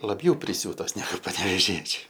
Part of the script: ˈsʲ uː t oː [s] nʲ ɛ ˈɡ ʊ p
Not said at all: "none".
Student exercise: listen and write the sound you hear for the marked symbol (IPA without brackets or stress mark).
s